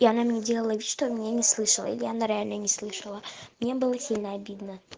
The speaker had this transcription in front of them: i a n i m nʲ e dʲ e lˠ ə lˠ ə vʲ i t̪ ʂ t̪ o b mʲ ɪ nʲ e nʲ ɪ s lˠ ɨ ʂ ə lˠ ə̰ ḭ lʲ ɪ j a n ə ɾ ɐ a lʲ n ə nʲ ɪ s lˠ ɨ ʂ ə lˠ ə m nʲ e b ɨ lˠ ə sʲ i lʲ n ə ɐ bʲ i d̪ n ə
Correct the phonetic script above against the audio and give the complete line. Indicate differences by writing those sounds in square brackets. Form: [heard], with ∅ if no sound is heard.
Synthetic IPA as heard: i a n [a] m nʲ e dʲ e lˠ ə lˠ ə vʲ i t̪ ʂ t̪ o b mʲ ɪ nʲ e nʲ ɪ s lˠ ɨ ʂ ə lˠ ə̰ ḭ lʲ ɪ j a n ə ɾ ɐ a lʲ n ə nʲ ɪ s lˠ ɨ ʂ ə lˠ ə m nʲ e b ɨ lˠ ə sʲ i lʲ n ə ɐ bʲ i d̪ n ə